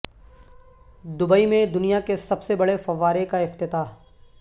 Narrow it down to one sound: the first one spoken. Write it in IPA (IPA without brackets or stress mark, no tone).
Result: d̪